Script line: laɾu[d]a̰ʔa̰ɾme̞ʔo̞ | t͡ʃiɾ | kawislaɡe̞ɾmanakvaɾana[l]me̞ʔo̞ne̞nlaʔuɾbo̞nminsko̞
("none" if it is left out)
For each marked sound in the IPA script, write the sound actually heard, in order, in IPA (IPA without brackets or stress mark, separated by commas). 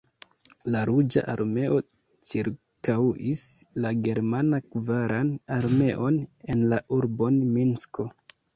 d͡ʒ, ɾ